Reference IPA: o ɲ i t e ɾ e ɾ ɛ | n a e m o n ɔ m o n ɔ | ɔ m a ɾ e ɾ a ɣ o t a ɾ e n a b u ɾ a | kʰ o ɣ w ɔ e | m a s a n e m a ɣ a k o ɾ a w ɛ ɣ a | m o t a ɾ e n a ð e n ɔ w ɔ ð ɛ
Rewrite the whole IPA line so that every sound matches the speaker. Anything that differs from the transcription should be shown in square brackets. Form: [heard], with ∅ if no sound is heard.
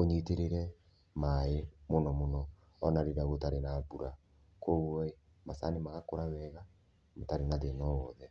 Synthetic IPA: o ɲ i t e ɾ e ɾ ɛ | [m] a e m o n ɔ m o n ɔ | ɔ [n] a ɾ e ɾ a ɣ o t a ɾ e n a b u ɾ a | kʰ o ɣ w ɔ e | m a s a n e m a ɣ a k o ɾ a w ɛ ɣ a | m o t a ɾ e n a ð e n ɔ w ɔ ð ɛ